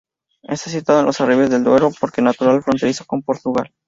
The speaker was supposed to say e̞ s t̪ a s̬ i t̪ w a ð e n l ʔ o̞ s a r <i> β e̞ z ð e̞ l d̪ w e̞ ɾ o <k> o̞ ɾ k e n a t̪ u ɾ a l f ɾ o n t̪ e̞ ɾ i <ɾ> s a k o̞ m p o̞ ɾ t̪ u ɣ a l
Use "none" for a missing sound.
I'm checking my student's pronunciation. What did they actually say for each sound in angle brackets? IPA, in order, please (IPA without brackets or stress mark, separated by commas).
i, p, none